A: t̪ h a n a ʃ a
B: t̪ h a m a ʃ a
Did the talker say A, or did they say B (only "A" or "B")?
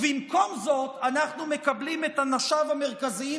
A